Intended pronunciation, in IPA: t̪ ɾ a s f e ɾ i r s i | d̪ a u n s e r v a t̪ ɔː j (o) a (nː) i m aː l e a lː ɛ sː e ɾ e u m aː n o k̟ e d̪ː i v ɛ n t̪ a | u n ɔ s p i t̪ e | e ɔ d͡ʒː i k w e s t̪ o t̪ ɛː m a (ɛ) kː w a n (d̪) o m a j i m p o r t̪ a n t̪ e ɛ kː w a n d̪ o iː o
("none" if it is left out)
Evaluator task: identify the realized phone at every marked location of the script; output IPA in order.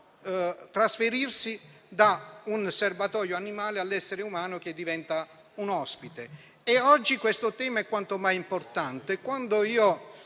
o, n, ɛ, t̪

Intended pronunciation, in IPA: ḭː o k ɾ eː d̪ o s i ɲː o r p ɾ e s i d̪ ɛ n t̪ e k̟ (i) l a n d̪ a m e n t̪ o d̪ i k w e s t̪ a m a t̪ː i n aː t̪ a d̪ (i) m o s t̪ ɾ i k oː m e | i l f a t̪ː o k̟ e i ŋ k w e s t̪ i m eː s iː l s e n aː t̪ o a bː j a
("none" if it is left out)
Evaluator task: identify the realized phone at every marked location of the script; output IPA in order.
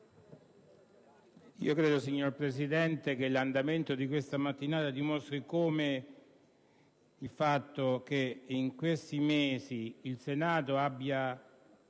e, i

